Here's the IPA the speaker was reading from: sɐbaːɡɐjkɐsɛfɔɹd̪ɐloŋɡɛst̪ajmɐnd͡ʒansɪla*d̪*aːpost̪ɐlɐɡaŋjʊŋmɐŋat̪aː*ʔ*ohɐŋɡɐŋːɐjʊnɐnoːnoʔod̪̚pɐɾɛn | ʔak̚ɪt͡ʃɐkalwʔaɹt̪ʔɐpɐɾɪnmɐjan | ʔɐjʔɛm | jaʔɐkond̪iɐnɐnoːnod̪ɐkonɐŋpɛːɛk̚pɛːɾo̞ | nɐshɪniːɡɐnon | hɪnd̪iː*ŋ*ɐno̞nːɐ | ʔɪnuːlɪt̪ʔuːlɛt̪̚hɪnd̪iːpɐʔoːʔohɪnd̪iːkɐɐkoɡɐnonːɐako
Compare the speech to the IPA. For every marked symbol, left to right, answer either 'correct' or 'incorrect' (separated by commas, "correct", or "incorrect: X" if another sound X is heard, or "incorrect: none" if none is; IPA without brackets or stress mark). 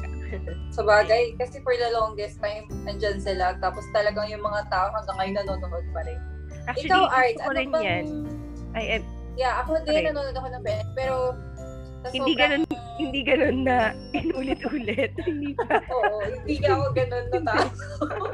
incorrect: t̪, correct, incorrect: ɡ